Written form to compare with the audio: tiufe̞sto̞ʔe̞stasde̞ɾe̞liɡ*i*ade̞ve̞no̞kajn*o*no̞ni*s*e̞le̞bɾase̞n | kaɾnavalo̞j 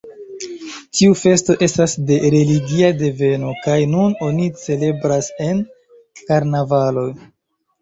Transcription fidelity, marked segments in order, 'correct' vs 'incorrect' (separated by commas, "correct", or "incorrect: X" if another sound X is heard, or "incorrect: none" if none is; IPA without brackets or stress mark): correct, incorrect: u, incorrect: t͡s